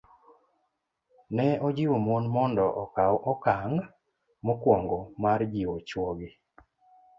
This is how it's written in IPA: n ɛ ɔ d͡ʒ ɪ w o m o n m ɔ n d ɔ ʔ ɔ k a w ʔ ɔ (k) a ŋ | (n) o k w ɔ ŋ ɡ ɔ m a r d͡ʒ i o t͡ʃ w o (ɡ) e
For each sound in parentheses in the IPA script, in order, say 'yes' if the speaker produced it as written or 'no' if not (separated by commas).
yes, no, yes